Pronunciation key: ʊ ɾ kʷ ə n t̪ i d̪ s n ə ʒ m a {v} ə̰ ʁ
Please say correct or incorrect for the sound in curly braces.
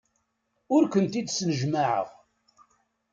incorrect